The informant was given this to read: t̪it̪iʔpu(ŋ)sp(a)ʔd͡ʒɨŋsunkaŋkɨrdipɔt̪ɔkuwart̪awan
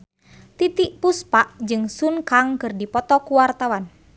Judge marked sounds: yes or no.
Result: no, yes

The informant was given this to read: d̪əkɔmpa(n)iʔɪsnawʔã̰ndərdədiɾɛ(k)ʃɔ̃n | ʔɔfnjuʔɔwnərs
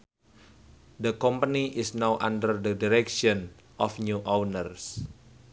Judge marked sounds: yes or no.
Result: yes, yes

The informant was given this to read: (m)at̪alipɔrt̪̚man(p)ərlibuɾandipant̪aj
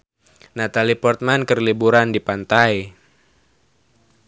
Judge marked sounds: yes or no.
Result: no, no

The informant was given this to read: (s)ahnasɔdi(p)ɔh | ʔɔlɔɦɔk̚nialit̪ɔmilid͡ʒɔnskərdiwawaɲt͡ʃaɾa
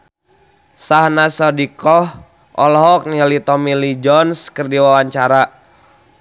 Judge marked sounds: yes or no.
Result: yes, no

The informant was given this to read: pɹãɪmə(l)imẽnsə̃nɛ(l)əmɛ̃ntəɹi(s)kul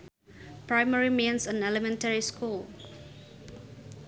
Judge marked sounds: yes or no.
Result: no, yes, yes

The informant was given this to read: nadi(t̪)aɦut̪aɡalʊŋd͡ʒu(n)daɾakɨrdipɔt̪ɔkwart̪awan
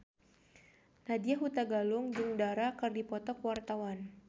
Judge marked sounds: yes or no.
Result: no, no

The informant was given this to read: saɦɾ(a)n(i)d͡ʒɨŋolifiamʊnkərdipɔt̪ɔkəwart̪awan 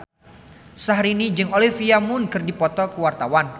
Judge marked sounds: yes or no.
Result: no, yes

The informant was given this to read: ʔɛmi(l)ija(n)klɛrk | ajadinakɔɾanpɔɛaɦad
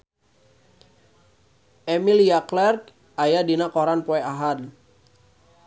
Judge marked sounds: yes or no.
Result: yes, no

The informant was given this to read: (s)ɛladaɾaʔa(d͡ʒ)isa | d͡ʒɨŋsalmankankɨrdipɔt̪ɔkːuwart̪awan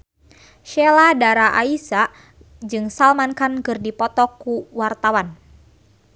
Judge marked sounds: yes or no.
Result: no, no

